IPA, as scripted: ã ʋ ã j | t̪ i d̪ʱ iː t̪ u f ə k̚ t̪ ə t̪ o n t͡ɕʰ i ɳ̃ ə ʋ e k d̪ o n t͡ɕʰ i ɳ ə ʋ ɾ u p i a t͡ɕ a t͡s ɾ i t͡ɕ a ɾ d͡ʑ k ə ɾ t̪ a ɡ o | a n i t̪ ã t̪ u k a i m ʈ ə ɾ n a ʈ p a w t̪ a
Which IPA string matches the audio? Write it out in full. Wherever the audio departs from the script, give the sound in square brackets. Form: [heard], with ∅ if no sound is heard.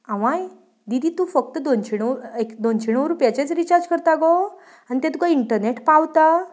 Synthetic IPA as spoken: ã ʋ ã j | [d̪] i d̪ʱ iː t̪ u f ə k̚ t̪ ə [d̪] o n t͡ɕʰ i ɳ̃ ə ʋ e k d̪ o n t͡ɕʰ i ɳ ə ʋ ɾ u p [j] a t͡ɕ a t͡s ɾ i t͡ɕ a ɾ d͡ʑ k ə ɾ t̪ a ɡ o | a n i t̪ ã t̪ u k a i [ɳ] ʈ ə ɾ n [e] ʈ p a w t̪ a